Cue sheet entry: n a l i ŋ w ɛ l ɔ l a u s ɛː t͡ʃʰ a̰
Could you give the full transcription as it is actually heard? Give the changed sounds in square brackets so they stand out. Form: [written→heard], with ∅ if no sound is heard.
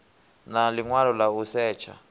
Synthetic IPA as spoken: n a l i ŋ w [ɛ→a] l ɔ l a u s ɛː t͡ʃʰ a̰